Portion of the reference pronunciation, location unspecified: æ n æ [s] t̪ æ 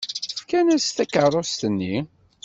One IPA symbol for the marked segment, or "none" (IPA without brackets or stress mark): s